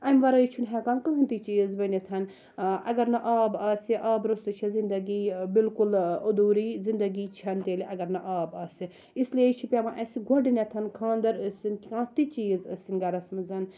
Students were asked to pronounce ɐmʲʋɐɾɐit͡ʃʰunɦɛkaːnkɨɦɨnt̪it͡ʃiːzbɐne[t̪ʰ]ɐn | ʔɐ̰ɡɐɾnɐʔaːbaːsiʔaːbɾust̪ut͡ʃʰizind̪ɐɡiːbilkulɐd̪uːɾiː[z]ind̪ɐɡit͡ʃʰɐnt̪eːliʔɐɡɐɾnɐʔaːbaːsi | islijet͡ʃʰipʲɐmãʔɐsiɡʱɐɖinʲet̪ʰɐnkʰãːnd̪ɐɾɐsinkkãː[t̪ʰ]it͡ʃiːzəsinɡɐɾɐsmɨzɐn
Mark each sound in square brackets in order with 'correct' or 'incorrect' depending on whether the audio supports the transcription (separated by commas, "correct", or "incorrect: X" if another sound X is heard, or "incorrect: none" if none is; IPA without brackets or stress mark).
correct, correct, incorrect: t̪